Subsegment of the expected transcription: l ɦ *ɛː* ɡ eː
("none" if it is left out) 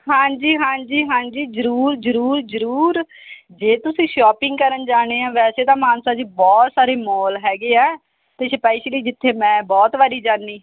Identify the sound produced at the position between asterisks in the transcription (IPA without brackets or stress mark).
ɛː